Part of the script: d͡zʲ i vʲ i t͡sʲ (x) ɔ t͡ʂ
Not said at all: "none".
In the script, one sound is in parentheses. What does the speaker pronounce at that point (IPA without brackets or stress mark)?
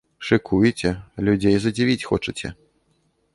x